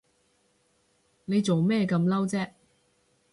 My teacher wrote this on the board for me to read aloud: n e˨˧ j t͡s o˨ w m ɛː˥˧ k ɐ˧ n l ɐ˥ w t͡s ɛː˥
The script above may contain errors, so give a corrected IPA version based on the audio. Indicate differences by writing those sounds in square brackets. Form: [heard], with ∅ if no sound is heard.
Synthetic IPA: n e˨˧ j t͡s o˨ w m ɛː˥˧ k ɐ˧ [m] l ɐ˥ w t͡s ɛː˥